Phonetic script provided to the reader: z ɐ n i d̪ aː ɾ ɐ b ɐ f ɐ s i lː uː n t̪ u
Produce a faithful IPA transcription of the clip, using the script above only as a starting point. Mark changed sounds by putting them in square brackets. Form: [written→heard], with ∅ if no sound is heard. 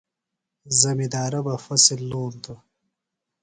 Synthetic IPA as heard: z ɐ [n→m] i d̪ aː ɾ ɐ b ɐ f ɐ s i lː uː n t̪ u